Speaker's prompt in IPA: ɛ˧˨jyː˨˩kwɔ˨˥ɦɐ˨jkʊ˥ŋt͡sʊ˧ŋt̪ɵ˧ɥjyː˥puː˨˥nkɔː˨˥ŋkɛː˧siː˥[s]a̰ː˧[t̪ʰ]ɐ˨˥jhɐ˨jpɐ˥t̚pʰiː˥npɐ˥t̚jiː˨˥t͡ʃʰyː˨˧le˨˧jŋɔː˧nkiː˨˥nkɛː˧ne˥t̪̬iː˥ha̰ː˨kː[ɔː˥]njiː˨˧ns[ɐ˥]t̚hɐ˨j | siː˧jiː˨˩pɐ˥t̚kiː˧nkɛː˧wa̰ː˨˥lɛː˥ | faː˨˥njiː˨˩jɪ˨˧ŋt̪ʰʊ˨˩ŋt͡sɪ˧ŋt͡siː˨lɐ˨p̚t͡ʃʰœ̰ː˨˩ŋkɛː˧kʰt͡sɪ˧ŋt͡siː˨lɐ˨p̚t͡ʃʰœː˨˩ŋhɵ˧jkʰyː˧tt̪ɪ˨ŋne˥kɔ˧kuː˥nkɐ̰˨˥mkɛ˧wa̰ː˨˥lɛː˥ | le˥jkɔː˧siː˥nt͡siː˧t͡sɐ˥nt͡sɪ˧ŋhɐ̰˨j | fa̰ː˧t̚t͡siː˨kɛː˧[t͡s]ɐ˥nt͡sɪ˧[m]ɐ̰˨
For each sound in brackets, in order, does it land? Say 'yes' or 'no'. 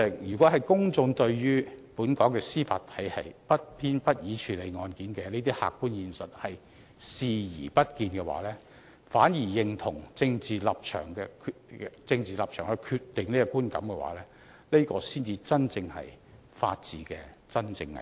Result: no, yes, no, no, yes, no

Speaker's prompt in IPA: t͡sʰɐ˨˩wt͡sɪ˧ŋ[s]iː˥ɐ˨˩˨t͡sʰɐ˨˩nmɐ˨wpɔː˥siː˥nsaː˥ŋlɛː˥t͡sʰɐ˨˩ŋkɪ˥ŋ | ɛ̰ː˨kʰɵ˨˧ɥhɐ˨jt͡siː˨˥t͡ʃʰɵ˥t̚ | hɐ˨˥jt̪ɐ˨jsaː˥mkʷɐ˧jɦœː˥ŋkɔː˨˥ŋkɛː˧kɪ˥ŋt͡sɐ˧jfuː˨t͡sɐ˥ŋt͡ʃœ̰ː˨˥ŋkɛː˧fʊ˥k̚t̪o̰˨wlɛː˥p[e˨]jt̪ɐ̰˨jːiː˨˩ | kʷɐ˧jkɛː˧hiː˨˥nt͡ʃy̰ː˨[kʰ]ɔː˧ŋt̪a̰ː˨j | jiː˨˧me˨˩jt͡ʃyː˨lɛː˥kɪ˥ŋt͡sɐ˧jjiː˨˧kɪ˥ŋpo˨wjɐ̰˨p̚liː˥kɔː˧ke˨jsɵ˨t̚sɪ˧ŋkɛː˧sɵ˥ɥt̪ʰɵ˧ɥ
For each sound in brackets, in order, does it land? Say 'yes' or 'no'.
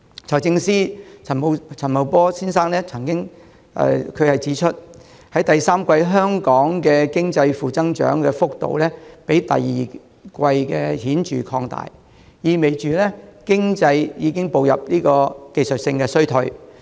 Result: yes, no, yes

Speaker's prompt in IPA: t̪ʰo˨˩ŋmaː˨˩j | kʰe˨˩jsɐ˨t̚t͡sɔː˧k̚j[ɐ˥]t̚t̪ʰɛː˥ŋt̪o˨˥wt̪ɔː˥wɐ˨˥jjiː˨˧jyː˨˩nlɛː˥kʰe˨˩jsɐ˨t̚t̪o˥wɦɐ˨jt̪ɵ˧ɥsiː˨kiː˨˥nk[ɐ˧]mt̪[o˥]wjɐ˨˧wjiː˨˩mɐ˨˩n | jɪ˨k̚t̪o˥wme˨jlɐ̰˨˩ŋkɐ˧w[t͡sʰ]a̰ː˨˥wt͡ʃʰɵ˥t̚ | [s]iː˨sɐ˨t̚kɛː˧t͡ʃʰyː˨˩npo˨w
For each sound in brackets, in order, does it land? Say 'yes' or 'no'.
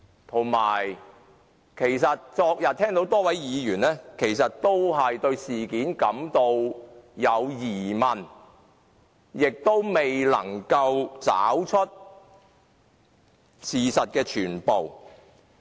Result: no, no, no, no, yes

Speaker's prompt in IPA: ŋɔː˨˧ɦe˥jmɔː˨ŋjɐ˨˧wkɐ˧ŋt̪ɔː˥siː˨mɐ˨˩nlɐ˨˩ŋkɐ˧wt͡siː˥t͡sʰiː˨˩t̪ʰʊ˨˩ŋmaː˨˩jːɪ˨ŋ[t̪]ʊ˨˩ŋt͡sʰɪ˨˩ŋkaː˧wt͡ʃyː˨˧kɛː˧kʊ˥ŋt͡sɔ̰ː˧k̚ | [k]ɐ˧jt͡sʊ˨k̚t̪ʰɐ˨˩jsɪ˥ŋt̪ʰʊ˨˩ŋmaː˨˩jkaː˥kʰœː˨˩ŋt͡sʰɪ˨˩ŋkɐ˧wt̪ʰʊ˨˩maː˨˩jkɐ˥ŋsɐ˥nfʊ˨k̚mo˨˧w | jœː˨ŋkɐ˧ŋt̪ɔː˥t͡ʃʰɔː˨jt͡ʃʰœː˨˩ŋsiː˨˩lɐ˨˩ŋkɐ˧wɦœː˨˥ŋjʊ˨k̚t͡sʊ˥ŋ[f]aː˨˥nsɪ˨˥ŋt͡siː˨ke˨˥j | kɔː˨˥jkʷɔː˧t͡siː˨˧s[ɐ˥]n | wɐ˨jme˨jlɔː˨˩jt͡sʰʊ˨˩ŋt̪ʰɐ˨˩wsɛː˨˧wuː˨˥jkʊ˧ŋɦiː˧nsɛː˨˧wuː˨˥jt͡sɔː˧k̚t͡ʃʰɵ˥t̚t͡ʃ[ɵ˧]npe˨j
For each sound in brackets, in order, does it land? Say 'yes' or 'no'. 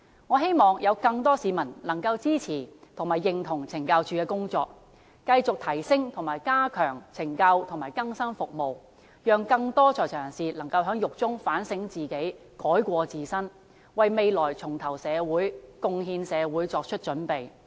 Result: no, yes, yes, yes, no

